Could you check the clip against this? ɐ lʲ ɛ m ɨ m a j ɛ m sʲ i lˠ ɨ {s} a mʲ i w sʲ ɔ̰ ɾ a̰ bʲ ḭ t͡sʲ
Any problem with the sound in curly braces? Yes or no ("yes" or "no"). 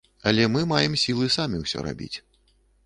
no